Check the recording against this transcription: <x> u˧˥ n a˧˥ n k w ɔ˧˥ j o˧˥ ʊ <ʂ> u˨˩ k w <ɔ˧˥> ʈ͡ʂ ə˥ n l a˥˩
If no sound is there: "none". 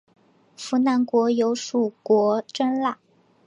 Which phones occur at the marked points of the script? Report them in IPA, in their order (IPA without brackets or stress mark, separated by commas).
f, ʂ, ɔ˧˥